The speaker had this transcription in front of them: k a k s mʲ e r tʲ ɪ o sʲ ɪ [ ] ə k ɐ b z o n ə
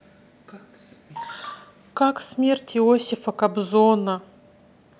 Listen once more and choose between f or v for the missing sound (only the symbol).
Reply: f